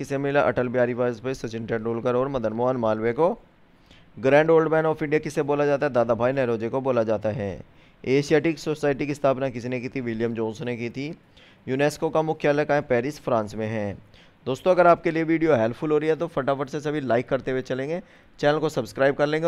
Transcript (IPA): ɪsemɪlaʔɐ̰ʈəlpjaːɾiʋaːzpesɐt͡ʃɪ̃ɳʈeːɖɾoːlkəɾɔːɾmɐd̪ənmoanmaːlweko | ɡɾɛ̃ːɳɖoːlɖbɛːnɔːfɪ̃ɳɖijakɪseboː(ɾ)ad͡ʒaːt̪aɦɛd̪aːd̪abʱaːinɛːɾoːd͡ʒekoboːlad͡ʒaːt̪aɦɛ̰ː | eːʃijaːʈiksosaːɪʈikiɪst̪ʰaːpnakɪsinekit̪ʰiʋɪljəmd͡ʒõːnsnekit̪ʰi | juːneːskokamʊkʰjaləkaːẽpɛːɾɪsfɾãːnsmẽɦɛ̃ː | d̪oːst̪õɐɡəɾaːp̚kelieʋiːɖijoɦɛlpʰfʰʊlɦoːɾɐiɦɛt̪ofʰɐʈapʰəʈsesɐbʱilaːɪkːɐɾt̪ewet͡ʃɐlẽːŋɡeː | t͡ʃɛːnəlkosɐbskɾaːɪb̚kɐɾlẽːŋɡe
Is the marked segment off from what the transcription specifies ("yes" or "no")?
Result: yes